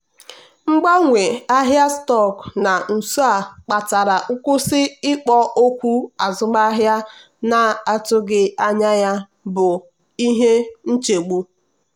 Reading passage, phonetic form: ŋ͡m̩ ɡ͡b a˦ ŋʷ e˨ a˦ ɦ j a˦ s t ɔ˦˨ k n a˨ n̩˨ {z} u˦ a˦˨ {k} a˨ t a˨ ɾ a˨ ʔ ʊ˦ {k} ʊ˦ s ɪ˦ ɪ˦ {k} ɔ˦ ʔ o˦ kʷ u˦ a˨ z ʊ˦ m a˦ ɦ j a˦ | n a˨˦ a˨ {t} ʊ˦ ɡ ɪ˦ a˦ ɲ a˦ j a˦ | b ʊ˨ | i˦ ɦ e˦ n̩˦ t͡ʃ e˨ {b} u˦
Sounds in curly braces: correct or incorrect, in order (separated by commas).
incorrect, incorrect, correct, incorrect, correct, incorrect